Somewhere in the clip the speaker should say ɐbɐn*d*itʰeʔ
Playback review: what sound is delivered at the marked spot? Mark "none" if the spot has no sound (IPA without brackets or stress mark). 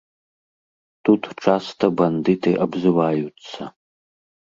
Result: d